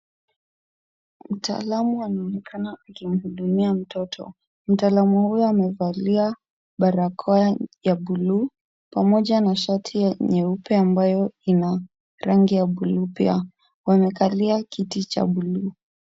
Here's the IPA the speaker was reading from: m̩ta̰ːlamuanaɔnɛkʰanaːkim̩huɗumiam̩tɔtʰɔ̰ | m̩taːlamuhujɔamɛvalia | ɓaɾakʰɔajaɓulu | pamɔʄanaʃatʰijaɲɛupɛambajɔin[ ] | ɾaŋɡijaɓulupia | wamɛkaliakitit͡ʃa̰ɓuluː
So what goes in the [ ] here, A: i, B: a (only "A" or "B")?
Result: B